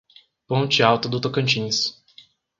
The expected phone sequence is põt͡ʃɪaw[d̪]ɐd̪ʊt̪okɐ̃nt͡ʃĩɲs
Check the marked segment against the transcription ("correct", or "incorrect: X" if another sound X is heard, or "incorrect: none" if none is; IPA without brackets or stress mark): incorrect: t̪